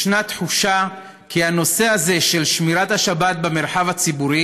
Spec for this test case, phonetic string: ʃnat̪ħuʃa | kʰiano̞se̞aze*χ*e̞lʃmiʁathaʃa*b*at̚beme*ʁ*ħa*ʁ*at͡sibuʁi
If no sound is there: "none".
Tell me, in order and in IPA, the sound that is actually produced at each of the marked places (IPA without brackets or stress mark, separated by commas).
ʃ, b, ʁ, v